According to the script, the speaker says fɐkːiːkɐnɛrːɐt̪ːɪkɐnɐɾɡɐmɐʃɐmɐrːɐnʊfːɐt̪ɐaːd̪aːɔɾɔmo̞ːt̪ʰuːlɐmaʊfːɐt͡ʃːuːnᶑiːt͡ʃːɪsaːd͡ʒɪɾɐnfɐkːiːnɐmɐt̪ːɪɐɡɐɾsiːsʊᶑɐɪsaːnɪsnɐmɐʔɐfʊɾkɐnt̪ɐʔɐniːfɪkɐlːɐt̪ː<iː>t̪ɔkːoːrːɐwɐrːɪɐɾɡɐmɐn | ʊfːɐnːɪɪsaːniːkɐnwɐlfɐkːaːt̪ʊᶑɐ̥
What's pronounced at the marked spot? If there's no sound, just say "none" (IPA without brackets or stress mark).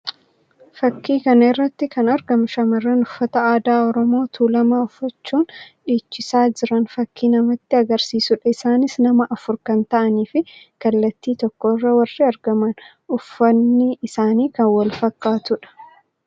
iː